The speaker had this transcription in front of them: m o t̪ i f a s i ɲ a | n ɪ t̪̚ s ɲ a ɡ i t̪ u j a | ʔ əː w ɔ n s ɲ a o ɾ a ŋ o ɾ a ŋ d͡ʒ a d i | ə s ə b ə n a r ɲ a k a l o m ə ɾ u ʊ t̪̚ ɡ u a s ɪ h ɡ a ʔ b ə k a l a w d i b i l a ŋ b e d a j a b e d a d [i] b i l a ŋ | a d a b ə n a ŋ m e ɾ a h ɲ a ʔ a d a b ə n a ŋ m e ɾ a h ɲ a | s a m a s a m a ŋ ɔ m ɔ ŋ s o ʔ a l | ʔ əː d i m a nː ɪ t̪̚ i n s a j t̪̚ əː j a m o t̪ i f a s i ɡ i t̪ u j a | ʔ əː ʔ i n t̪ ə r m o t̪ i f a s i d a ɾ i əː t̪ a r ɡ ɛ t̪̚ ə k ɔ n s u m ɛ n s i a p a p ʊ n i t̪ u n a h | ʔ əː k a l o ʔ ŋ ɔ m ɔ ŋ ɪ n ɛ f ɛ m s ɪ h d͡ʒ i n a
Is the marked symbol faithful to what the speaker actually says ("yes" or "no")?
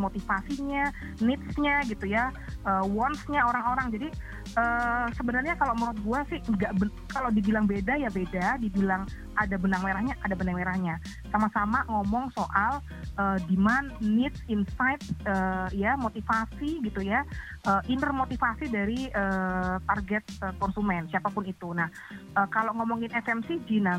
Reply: yes